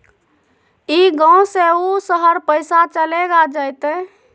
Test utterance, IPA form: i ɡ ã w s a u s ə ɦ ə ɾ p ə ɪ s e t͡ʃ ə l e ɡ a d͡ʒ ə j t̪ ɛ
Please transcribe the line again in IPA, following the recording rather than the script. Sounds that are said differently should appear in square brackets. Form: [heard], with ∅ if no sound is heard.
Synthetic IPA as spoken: i ɡ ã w s [e] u s ə ɦ ə ɾ p ə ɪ s [a] t͡ʃ ə l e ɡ a d͡ʒ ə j t̪ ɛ